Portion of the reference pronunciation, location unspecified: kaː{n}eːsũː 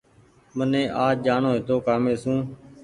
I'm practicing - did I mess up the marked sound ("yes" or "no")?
yes